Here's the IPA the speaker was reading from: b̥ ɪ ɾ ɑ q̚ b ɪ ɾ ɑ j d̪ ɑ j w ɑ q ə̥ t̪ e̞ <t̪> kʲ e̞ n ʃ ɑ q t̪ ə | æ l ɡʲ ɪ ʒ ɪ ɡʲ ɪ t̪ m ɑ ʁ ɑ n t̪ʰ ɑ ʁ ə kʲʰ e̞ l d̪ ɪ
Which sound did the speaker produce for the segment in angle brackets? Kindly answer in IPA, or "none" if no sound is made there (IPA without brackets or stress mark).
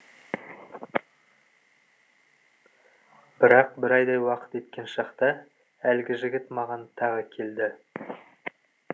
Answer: t̪